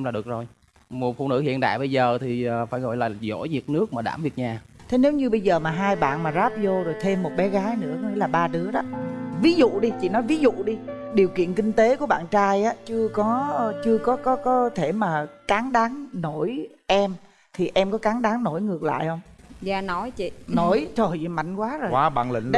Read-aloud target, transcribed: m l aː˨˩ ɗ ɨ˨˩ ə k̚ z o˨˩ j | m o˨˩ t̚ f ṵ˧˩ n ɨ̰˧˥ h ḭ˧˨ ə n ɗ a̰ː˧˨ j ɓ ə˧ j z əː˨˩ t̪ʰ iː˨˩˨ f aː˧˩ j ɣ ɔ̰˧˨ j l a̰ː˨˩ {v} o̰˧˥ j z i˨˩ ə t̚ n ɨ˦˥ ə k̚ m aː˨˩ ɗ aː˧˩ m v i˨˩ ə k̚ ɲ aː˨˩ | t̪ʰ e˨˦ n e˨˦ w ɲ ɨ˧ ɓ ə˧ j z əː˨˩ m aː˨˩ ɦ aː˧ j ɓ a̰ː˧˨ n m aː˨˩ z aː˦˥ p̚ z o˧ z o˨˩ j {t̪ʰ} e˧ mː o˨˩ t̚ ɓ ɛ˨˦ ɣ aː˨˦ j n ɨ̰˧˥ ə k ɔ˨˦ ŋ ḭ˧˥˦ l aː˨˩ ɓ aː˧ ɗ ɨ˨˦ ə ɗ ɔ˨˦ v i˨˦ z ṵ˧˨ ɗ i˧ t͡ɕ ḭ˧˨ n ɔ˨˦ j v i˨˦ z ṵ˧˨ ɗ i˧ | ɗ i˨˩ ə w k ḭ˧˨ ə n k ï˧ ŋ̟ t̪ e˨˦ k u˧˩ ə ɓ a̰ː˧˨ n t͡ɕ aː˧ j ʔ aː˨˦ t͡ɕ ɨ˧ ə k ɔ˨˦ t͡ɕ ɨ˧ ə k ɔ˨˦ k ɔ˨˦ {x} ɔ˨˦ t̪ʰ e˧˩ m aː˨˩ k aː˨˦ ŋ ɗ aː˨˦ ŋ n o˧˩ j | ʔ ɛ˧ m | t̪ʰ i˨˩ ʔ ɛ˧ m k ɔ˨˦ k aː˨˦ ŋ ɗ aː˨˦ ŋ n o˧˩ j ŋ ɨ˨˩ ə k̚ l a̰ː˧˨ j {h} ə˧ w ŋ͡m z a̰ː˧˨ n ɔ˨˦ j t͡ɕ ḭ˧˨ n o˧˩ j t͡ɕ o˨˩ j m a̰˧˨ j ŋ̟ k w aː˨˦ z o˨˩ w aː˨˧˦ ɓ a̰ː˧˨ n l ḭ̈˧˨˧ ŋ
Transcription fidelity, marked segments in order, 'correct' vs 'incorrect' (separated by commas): incorrect, correct, incorrect, correct